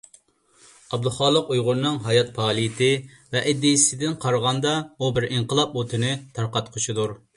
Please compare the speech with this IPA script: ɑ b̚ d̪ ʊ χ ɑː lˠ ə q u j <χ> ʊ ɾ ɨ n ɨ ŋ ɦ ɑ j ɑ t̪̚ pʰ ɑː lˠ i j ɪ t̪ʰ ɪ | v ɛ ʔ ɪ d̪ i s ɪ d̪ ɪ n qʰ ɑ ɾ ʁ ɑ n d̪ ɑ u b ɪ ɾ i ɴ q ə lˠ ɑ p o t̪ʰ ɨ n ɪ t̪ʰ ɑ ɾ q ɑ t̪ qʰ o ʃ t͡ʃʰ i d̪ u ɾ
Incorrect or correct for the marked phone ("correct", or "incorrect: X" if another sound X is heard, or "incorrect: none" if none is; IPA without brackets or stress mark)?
incorrect: ʁ